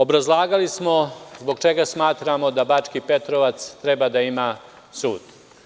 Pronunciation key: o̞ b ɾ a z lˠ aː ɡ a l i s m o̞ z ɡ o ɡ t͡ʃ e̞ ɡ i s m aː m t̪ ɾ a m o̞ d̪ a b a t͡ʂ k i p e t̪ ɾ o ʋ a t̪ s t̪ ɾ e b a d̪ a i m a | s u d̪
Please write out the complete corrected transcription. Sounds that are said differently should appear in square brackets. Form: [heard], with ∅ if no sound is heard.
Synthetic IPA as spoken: o̞ b ɾ a z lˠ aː ɡ a l i s m o̞ z [b] o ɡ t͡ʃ e̞ ɡ [a] s m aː [∅] t̪ ɾ a m o̞ d̪ a b a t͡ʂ k i p e t̪ ɾ o ʋ a t̪ s t̪ ɾ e b a d̪ a i m a | s [uː] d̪

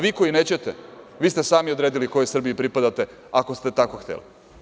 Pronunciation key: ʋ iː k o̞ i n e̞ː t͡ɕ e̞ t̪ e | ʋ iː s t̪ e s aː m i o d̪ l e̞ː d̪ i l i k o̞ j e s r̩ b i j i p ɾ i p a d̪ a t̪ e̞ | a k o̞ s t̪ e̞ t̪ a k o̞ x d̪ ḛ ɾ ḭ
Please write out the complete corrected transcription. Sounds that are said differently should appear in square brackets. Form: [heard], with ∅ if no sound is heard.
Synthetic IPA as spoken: ʋ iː k o̞ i n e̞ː t͡ɕ e̞ t̪ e | ʋ iː s t̪ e s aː m i o d̪ [ɾ] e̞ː d̪ i l i k o̞ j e s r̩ b i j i p ɾ i p a d̪ a t̪ e̞ | a k o̞ s t̪ e̞ t̪ a k o̞ x [t̪] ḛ [l] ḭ

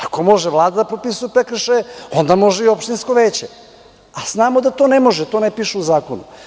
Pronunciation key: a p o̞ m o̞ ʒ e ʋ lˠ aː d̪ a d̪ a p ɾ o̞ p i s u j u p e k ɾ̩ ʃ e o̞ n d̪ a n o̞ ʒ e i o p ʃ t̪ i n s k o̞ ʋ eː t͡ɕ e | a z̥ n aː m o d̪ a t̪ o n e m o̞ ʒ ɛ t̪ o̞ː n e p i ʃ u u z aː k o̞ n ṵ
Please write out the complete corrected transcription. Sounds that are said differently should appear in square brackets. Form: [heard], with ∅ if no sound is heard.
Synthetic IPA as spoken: a [k] o̞ m o̞ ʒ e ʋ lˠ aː d̪ a d̪ a p ɾ o̞ p i s u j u p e k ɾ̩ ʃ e o̞ n d̪ a [m] o̞ ʒ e i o p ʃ t̪ i n s k o̞ ʋ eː t͡ɕ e | a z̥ n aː m o d̪ a t̪ o n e m o̞ ʒ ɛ t̪ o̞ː n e p i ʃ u u z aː k o̞ n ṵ

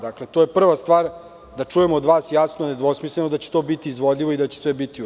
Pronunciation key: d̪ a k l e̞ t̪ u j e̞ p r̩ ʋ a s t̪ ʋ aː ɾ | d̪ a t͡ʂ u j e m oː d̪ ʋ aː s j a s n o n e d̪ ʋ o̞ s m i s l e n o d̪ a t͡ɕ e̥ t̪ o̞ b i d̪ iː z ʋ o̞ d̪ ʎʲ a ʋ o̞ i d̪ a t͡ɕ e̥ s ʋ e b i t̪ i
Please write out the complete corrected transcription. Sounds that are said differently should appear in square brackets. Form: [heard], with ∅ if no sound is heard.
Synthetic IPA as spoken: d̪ a k l e̞ t̪ [o] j e̞ p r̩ ʋ a s t̪ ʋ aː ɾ | d̪ a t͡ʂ u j e m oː d̪ ʋ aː s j a s n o n e d̪ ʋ o̞ s m i s l e n o d̪ a t͡ɕ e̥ t̪ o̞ b i [t̪] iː z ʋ o̞ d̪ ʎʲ [i] ʋ o̞ i d̪ a t͡ɕ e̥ s ʋ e b i t̪ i

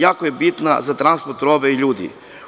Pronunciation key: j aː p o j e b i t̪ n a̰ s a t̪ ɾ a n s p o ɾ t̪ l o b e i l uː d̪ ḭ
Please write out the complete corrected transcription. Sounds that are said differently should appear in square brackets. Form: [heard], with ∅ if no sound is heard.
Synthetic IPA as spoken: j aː [k] o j e b i t̪ n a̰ [z] a t̪ ɾ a n s p o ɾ t̪ [ɾ] o b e i [ʎ] uː d̪ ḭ

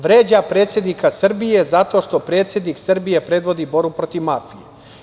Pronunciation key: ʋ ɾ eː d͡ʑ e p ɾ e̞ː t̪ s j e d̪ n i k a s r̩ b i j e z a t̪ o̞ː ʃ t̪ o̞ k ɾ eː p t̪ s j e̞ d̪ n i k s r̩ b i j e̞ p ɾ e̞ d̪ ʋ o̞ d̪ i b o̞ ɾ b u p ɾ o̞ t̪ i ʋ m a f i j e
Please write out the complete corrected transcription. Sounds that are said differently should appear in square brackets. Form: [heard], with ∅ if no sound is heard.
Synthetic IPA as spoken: ʋ ɾ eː d͡ʑ [a] p ɾ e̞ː t̪ s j e d̪ n i k a s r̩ b i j e z a t̪ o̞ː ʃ t̪ o̞ [p] ɾ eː [∅] t̪ s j e̞ d̪ n i k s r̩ b i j e̞ p ɾ e̞ d̪ ʋ o̞ d̪ i b o̞ ɾ b u p ɾ o̞ t̪ i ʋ m a f i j e

